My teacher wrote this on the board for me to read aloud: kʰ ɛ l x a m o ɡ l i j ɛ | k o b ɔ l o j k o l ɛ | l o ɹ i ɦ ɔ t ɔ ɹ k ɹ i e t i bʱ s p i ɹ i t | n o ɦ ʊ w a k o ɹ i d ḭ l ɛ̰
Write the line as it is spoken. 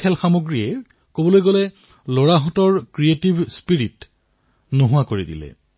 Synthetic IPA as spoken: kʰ ɛ l x a m o ɡ ɹ i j ɛ | k o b ɔ l o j ɡ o l ɛ | l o ɹ a ɦ ɔ t ɔ ɹ k ɹ i e t i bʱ s p i ɹ i t | n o ɦ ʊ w a k o ɹ i d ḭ l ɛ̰